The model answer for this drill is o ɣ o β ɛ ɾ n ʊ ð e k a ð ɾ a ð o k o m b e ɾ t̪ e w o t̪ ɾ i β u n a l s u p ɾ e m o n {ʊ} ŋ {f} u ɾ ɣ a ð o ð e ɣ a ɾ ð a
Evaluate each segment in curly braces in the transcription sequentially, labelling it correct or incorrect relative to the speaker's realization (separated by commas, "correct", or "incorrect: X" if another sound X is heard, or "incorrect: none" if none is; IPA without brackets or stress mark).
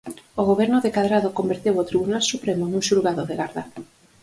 incorrect: u, incorrect: ʃ